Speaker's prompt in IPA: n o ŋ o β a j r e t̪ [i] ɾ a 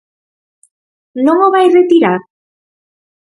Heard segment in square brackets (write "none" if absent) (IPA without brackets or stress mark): i